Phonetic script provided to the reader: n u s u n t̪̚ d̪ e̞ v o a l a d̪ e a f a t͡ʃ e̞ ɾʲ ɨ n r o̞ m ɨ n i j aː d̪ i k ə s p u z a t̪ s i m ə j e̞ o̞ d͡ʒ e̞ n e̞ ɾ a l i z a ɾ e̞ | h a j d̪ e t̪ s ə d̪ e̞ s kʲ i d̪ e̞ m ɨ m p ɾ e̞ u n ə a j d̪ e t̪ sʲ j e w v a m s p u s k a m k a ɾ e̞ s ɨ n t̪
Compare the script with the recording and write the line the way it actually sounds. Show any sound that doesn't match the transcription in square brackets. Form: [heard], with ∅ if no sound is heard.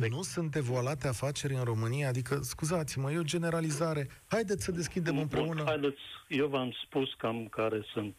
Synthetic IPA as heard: n u s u n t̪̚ d̪ e̞ v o a l a [t̪] e a f a t͡ʃ e̞ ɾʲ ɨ n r o̞ m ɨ n i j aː d̪ i k ə s [k] u z a t̪ s i m ə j e̞ o̞ d͡ʒ e̞ n e̞ ɾ a l i z a ɾ e̞ | h a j d̪ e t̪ s ə d̪ e̞ s kʲ i d̪ e̞ m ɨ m p ɾ e̞ u n ə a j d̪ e t̪ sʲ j e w v a m s p u s k a m k a ɾ e̞ s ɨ n t̪